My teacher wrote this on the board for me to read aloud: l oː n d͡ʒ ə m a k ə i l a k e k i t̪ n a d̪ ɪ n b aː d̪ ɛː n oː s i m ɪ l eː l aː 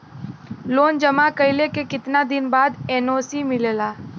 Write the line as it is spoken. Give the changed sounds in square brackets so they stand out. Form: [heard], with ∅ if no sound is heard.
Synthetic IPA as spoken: l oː n d͡ʒ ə m a k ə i l [e] k e k [ɪ] t̪ n a d̪ ɪ n b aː d̪ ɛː n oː s i m ɪ l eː l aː

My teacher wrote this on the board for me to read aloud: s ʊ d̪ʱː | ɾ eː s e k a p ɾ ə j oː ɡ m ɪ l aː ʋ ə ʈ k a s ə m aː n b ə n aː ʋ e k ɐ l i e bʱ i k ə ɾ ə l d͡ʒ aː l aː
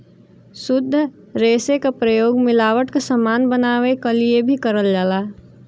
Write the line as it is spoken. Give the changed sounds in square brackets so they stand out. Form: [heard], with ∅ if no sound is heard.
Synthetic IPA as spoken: s ʊ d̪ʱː | ɾ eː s e k a p ɾ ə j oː ɡ m ɪ l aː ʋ ə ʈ k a s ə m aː n b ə n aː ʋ e k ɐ l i e bʱ i k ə ɾ ə l d͡ʒ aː l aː

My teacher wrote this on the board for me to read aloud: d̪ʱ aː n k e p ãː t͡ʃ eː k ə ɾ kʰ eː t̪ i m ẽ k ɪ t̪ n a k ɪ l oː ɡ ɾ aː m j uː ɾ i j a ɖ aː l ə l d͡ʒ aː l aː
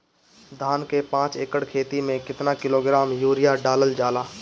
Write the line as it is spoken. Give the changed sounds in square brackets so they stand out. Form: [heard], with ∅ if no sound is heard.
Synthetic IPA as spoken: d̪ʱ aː n k e p ãː t͡ʃ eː k ə [ɽ] kʰ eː t̪ i m ẽ k ɪ t̪ n a k ɪ l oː ɡ ɾ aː m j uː ɾ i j a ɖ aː l ə l d͡ʒ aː l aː

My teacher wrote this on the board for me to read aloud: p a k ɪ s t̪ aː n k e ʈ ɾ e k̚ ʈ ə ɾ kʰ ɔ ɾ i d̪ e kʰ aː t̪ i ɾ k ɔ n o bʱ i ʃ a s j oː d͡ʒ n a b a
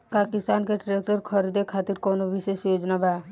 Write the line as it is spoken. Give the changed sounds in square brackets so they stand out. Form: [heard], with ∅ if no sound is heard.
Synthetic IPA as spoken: p a k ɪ s t̪ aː n k e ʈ ɾ e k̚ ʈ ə ɾ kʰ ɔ ɾ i d̪ e kʰ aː t̪ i ɾ k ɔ n o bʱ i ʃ [e] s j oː d͡ʒ n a b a

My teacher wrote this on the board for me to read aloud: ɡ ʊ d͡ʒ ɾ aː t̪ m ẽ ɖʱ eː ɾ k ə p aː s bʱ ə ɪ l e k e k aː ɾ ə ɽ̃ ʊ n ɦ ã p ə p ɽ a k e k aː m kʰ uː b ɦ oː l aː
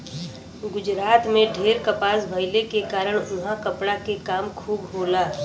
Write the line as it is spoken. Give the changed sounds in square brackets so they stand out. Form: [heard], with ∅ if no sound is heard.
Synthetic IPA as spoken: ɡ ʊ d͡ʒ ɾ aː t̪ m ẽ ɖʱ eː ɾ k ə p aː s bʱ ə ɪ l e k e k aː ɾ ə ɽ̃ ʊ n ɦ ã [k] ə p ɽ a k e k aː m kʰ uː b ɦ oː l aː

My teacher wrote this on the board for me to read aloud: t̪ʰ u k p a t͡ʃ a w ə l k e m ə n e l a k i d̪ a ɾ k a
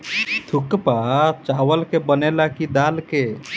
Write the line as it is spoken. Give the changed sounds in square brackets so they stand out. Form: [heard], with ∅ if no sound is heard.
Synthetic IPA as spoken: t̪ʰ u k p a t͡ʃ a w ə l k e [b] ə n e l a k i d̪ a [l] k [e]

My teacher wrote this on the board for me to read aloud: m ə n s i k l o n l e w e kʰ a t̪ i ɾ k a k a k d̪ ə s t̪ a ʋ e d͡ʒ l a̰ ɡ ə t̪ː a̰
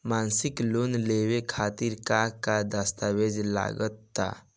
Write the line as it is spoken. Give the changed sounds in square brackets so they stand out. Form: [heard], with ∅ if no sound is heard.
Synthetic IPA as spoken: m [a] n s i k l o n l e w e kʰ a t̪ i ɾ k a k a [∅] d̪ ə s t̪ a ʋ e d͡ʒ l a̰ ɡ ə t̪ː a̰

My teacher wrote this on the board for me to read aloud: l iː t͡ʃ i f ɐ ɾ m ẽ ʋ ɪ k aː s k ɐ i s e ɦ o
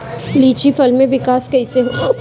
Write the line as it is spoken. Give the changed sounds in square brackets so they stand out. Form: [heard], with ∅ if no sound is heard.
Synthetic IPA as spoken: l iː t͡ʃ i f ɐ [l] m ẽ ʋ ɪ k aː s k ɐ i s e ɦ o

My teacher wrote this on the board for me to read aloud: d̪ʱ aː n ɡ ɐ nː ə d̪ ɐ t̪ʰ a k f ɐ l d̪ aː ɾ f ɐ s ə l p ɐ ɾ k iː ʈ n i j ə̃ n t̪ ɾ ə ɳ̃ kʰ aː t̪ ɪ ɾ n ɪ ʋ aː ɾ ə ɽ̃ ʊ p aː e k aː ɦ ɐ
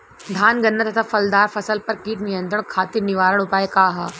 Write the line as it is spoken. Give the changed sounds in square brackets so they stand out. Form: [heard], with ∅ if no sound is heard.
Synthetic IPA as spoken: d̪ʱ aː n ɡ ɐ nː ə [t̪] ɐ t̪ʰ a [∅] f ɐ l d̪ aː ɾ f ɐ s ə l p ɐ ɾ k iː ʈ n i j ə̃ n t̪ ɾ ə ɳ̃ kʰ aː t̪ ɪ ɾ n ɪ ʋ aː ɾ ə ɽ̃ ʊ p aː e k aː ɦ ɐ

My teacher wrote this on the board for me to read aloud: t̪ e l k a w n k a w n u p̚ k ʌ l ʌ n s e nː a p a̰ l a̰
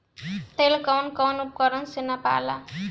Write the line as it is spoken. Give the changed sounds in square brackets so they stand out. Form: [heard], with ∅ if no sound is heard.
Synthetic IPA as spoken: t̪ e l k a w n k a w n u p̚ k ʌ [ɾ] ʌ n s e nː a p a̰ l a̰

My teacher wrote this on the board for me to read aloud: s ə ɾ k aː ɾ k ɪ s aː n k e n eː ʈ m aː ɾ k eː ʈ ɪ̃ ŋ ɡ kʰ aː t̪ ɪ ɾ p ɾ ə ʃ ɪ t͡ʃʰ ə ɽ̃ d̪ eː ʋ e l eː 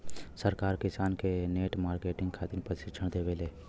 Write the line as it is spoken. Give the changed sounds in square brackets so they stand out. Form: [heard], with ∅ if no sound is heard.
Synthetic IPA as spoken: s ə ɾ k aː ɾ k ɪ s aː n k e n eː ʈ m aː ɾ k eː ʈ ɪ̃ ŋ ɡ kʰ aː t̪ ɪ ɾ p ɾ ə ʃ ɪ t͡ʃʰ ə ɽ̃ d̪ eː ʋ e l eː

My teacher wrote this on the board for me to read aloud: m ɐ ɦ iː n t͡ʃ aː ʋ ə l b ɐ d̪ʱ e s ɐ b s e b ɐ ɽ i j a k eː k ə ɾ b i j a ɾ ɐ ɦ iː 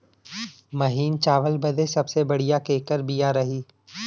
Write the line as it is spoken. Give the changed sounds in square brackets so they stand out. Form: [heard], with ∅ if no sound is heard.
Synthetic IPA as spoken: m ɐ ɦ iː n t͡ʃ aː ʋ ə l b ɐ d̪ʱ e s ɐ b s e b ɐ ɽ i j a k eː k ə ɾ b i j a ɾ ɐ ɦ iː

